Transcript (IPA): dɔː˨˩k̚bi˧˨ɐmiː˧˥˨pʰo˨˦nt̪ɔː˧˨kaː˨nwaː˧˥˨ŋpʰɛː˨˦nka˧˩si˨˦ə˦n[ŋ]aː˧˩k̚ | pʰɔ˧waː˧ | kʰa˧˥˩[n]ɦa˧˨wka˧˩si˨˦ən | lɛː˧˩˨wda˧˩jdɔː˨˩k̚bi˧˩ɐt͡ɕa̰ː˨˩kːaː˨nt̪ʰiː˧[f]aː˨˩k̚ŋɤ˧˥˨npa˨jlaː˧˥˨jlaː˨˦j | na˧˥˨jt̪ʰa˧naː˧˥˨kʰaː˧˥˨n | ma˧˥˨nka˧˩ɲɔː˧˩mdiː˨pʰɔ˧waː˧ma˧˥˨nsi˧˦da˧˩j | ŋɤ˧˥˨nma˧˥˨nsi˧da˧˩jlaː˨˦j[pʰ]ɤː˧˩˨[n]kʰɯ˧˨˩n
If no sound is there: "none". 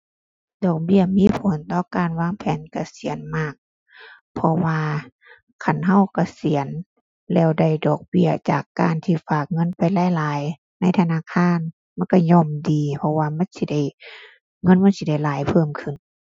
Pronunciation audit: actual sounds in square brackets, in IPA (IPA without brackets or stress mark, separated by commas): m, n, f, pʰ, m